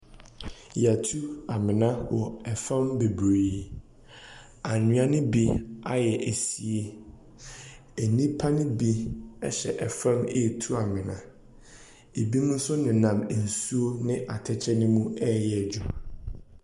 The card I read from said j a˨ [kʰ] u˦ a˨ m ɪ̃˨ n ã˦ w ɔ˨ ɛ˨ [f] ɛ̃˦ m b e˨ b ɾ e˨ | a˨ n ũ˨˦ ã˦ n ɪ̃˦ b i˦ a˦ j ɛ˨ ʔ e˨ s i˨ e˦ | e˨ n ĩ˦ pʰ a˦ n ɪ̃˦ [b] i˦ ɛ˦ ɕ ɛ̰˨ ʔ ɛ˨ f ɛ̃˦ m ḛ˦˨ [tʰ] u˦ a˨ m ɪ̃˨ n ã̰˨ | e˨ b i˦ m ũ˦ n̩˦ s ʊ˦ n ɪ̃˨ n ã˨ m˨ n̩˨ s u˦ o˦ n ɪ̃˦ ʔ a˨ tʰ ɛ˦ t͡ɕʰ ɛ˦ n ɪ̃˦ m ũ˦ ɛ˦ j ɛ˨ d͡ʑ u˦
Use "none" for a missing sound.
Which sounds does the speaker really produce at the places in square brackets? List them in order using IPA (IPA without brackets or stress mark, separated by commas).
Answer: tʰ, f, b, tʰ